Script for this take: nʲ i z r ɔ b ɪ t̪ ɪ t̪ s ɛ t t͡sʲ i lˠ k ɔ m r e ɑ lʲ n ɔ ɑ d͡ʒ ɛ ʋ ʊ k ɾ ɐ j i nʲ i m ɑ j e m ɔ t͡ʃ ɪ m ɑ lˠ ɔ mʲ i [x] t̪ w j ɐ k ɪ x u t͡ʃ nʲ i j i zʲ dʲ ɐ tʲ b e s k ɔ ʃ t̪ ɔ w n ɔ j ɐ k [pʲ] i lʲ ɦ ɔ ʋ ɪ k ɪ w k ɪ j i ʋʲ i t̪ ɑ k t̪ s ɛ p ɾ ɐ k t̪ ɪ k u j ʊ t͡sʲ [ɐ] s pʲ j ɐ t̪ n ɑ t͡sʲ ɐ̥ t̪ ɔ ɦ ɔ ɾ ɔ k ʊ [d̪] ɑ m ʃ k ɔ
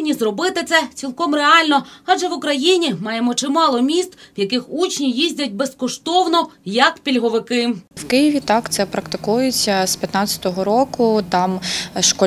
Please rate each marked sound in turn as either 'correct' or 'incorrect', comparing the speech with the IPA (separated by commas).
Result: incorrect, correct, correct, incorrect